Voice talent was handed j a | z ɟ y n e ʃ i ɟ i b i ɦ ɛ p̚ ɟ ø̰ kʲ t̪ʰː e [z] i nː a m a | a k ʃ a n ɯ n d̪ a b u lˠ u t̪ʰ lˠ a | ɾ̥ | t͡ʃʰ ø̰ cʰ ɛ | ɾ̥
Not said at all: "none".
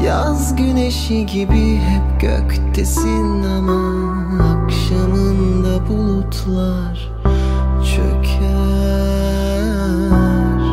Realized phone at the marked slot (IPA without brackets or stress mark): s